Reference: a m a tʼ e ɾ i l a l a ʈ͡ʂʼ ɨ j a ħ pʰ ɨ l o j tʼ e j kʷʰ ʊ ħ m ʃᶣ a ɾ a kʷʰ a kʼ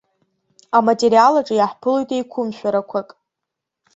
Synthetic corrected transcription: a m a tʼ e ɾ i a l a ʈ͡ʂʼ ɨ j a ħ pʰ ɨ l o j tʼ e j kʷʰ ʊ m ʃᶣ a ɾ a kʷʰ a kʼ

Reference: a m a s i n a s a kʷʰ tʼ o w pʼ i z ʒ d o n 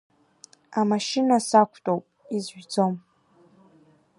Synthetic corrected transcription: a m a ʃ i n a s a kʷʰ tʼ o w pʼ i z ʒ d͡z o m

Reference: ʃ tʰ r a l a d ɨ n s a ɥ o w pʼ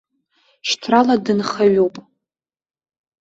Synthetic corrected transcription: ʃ tʰ r a l a d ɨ n χ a ɥ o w pʼ

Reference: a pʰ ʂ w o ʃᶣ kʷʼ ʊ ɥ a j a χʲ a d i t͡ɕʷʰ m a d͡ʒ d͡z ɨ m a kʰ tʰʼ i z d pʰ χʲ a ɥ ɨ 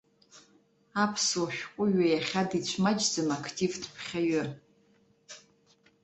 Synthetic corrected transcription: a pʰ s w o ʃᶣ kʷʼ ʊ ɥ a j a χʲ a d i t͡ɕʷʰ m a d͡ʒ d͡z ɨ m a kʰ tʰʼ i v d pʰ χʲ a ɥ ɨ

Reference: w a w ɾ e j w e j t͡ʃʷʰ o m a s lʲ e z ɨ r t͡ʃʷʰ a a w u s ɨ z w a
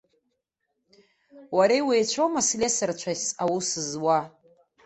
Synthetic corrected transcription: w a ɾ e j w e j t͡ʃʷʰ o m a s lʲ e s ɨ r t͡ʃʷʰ a a w u s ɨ z w a

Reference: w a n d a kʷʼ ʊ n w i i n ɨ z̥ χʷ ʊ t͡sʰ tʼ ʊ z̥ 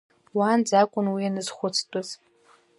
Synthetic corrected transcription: w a n d͡z a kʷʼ ʊ n w i a n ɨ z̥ χʷ ʊ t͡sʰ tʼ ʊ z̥

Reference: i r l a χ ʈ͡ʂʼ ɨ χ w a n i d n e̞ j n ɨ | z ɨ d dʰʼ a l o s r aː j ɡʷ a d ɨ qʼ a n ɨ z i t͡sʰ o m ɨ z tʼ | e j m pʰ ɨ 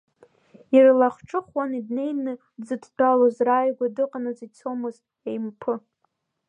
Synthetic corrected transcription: i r l a χ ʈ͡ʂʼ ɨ χ w a n i d n e̞ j n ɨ | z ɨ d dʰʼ a l o z r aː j ɡʷ a d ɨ qʼ a n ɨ z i t͡sʰ o m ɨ z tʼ | e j m pʰ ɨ

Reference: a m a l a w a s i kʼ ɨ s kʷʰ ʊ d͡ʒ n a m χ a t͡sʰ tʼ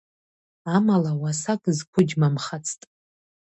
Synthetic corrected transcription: a m a l a w a s a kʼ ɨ z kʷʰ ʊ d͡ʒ m a m χ a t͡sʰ tʼ

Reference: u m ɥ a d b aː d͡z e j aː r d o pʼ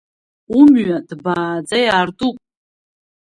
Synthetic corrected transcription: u m ɥ a d b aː d͡z a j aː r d u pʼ

